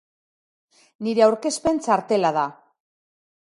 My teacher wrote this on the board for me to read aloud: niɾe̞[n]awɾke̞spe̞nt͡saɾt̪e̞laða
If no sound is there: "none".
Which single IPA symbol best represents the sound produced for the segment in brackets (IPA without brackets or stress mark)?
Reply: none